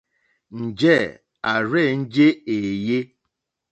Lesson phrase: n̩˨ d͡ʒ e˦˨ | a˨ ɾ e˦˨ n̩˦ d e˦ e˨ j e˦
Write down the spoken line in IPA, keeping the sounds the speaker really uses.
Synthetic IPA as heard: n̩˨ d͡ʒ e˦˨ | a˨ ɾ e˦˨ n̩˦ d͡ʒ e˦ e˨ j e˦